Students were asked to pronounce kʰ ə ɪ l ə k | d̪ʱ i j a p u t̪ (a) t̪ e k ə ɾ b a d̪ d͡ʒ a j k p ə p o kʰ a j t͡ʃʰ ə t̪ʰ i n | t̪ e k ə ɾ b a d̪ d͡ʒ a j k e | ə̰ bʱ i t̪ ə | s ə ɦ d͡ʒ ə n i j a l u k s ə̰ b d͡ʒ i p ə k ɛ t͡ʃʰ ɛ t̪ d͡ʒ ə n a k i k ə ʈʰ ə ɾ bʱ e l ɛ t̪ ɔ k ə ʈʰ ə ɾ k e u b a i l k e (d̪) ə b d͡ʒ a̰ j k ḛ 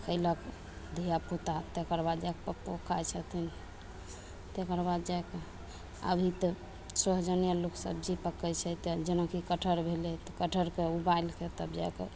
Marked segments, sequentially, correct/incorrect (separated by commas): correct, incorrect